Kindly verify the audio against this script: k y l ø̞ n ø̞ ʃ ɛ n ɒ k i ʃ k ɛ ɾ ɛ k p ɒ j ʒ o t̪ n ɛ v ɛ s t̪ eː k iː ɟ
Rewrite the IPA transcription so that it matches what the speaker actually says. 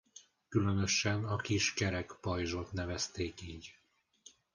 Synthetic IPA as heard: k y l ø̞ n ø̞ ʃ ɛ n ɒ k i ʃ k ɛ ɾ ɛ k p ɒ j ʒ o t̪ n ɛ v ɛ s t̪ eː k iː ɟ